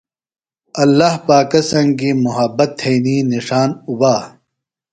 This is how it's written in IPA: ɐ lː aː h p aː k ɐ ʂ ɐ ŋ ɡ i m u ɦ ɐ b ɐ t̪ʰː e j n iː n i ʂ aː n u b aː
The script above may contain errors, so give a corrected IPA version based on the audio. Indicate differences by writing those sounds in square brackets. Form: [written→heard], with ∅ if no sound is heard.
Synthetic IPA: ɐ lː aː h p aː k ɐ [ʂ→s] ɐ ŋ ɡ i m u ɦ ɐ b ɐ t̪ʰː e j n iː n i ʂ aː n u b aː